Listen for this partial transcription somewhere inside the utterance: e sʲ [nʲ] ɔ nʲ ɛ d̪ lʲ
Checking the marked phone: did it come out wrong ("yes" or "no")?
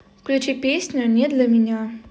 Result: no